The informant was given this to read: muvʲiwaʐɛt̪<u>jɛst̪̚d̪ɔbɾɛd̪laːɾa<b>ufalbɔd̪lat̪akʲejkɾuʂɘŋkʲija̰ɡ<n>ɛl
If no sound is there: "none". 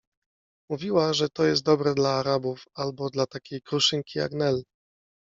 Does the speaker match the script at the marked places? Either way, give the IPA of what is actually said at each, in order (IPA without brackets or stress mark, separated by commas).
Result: ɔ, b, n